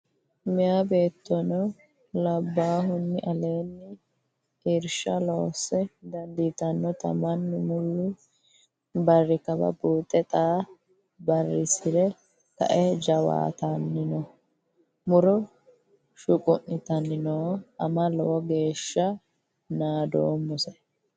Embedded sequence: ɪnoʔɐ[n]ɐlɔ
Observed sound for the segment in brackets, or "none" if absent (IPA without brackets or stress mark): m